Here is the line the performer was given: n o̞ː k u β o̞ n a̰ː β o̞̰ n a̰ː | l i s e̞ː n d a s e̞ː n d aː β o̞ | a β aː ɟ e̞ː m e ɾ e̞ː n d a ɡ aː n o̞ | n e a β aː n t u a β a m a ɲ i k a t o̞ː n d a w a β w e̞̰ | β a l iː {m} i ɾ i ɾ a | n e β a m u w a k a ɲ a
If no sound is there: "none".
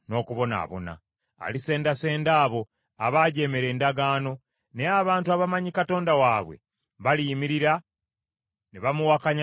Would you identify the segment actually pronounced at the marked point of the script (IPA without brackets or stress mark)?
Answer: m